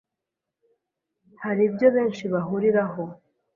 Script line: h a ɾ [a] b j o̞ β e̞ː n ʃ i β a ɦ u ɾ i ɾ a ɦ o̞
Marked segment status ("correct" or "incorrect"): incorrect